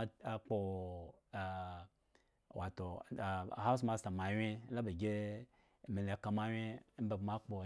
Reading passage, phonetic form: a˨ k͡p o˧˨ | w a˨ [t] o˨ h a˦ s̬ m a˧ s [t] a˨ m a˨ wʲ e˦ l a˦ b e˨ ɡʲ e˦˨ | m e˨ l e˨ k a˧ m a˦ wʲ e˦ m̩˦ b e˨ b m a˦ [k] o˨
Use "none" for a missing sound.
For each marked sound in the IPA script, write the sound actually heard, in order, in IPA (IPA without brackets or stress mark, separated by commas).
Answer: t, t, k͡p